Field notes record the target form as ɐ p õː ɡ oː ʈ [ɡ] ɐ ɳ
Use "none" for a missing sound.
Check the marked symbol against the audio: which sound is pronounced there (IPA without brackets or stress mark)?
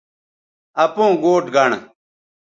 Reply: ɡ